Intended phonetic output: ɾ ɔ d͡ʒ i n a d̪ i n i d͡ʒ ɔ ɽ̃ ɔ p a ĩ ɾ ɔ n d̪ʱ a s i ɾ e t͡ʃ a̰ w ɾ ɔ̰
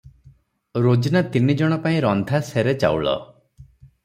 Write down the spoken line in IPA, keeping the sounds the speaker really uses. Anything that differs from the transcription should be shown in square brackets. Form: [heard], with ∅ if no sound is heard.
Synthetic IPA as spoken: ɾ [o] d͡ʒ i n a [t̪] i n i d͡ʒ ɔ ɽ̃ ɔ p a ĩ ɾ ɔ n d̪ʱ a s [e] ɾ e t͡ʃ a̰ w [ɭ] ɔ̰